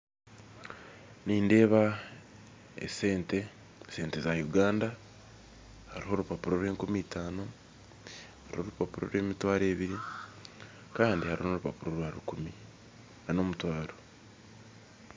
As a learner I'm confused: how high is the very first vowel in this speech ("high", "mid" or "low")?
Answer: high